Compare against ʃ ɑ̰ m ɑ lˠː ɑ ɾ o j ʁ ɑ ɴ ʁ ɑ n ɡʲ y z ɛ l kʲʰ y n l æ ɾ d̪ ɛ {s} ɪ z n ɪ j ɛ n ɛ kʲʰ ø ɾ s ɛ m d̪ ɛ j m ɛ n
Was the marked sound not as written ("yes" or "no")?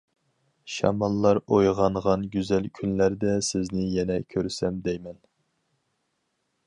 no